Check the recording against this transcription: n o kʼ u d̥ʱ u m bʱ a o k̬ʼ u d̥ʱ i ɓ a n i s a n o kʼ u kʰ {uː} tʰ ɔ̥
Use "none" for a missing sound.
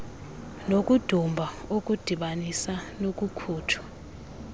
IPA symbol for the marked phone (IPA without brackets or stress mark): uː